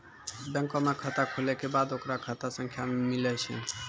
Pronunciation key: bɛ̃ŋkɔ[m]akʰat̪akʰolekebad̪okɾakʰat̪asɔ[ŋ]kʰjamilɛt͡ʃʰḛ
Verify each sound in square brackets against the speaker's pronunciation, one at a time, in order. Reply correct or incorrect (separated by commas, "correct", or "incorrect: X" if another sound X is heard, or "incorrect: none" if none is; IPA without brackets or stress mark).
correct, correct